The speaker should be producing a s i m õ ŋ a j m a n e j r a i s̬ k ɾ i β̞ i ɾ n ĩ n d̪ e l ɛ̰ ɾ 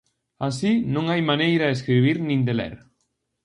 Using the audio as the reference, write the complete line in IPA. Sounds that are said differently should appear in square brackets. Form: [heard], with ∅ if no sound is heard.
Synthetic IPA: a s i [n] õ ŋ a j m a n e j [ɾ] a [e] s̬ k ɾ i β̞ i ɾ n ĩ n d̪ e l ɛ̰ ɾ